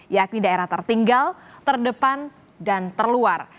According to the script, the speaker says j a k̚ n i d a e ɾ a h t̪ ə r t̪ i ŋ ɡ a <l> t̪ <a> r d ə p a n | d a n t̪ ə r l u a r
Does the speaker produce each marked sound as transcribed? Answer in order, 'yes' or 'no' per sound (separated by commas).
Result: yes, no